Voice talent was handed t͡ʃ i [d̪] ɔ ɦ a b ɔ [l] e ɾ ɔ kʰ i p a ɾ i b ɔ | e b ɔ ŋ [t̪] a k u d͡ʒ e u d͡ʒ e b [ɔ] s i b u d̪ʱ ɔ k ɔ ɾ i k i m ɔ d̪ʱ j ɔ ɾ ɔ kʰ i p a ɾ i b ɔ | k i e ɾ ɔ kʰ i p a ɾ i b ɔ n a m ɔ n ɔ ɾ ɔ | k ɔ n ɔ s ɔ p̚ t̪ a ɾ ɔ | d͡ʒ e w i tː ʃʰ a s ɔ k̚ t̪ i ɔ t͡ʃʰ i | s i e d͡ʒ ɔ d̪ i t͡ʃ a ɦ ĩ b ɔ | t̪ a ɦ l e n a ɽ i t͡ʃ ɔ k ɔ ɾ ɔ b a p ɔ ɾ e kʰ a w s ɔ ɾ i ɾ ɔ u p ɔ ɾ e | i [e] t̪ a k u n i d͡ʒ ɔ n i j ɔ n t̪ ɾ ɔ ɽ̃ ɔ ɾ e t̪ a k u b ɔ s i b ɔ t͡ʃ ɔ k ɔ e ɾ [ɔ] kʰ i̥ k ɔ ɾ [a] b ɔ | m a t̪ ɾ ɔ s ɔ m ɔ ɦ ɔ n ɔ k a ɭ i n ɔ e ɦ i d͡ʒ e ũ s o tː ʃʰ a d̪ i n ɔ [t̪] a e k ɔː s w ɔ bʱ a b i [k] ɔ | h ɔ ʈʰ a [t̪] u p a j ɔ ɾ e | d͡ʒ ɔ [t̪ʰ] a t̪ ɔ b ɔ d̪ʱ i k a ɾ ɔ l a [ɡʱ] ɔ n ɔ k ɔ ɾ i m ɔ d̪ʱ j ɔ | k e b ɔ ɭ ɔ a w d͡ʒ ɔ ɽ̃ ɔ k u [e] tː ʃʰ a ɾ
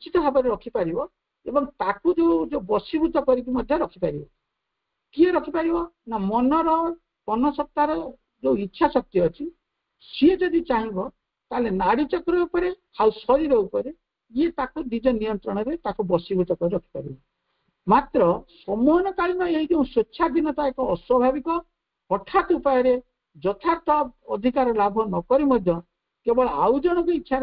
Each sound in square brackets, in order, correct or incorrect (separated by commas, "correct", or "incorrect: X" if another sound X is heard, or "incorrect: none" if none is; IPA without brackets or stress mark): incorrect: t̪, incorrect: ɾ, correct, correct, correct, correct, incorrect: i, correct, correct, correct, correct, incorrect: bʱ, incorrect: i